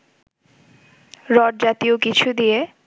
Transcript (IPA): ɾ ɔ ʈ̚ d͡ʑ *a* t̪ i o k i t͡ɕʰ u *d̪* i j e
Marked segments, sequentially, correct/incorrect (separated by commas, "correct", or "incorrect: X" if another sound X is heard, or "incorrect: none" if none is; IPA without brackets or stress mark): correct, correct